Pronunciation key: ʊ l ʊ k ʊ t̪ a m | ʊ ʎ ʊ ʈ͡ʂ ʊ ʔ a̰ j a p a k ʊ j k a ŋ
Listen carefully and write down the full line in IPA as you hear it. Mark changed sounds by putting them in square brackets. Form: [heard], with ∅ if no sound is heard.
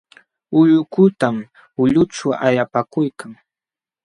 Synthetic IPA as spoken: ʊ [ʎ] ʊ k ʊ t̪ a m | ʊ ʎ ʊ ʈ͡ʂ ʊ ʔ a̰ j a p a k ʊ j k a ŋ